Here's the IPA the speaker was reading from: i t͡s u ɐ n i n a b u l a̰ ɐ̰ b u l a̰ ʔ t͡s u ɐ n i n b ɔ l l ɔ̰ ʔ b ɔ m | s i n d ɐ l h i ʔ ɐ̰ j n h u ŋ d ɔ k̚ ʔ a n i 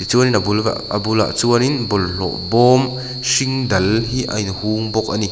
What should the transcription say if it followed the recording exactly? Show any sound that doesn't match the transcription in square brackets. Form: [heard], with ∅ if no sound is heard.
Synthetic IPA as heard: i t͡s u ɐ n i n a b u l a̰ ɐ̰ b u l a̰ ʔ t͡s u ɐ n i n b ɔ l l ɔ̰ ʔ b ɔ m | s i [ŋ] d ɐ l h i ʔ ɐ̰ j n h u ŋ [b] ɔ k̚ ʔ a n i